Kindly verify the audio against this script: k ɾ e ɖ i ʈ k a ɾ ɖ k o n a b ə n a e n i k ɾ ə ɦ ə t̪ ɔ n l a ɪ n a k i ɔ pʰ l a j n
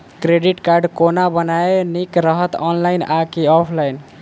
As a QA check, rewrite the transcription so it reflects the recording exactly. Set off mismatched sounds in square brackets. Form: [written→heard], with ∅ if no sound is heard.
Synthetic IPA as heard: k ɾ e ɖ i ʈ k a ɾ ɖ k o n a b ə n a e n i k ɾ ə ɦ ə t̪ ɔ n l a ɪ n a k i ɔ pʰ l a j n